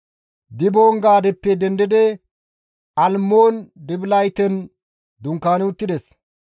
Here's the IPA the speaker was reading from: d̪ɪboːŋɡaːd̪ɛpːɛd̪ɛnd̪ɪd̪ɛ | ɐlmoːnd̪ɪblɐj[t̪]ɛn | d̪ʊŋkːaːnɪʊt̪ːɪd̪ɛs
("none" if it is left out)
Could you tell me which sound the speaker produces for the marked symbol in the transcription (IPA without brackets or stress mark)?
t̪